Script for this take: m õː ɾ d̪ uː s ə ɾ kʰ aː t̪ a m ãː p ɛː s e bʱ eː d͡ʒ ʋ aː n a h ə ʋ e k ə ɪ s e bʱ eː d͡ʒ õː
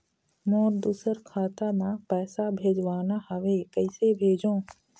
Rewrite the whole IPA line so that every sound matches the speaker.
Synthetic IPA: m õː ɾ d̪ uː s ə ɾ kʰ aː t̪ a m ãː p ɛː s a bʱ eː d͡ʒ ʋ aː n a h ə ʋ e k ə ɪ s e bʱ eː d͡ʒ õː